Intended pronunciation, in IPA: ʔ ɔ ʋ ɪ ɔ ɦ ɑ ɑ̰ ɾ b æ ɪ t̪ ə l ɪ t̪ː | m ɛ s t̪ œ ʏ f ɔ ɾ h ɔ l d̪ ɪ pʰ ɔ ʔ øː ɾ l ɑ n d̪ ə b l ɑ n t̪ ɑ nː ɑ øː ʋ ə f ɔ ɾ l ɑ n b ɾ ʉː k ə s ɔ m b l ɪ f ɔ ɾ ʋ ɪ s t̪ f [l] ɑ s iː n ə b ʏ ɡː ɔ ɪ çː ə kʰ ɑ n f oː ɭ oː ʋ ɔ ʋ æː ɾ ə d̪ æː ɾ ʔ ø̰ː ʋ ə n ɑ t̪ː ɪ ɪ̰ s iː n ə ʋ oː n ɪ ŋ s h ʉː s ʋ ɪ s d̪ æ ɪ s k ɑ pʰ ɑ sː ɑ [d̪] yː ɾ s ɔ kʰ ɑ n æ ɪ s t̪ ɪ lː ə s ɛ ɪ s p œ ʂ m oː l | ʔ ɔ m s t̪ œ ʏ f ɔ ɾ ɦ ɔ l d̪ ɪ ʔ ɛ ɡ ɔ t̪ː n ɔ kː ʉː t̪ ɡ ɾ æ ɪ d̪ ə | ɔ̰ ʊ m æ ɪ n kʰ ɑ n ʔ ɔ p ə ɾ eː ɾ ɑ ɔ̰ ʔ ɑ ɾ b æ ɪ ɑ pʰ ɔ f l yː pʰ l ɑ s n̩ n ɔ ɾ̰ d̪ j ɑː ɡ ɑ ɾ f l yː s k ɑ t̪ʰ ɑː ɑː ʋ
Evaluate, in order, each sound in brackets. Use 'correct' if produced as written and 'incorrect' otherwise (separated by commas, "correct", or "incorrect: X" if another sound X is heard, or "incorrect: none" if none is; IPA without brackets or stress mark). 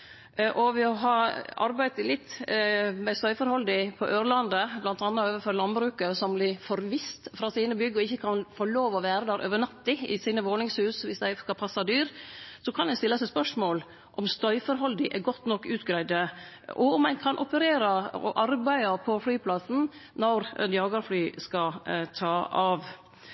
incorrect: ɾ, correct